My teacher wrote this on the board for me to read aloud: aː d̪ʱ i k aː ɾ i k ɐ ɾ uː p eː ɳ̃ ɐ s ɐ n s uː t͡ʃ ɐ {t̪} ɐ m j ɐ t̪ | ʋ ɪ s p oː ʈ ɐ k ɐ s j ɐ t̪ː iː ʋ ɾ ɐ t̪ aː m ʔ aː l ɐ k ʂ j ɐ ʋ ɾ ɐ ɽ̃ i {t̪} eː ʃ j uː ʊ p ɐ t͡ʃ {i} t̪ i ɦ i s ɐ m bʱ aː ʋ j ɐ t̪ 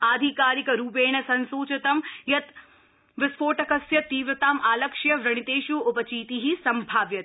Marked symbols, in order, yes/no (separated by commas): yes, yes, no